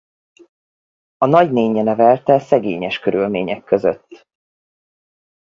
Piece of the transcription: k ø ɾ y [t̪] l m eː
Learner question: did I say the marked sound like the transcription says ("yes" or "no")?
no